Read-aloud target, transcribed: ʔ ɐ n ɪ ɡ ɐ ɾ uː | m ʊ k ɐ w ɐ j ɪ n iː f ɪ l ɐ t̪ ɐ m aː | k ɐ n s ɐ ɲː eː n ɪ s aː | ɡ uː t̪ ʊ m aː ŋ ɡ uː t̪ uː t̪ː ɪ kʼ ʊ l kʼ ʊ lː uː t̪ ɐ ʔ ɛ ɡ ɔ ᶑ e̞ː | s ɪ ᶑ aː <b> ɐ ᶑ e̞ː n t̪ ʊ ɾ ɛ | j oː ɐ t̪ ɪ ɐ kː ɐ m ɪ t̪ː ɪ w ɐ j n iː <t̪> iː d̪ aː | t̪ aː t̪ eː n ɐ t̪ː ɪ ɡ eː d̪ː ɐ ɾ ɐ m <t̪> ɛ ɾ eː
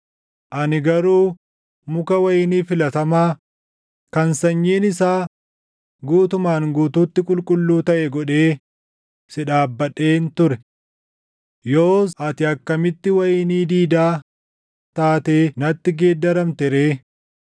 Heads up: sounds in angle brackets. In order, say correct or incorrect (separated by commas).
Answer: incorrect, incorrect, correct